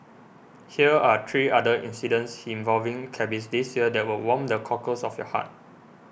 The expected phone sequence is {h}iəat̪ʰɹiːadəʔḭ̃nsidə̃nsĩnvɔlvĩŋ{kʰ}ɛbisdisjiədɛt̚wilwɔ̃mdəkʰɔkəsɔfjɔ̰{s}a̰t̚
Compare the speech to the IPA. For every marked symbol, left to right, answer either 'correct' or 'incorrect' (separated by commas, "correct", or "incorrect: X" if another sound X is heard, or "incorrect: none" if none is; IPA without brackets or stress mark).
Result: correct, correct, incorrect: h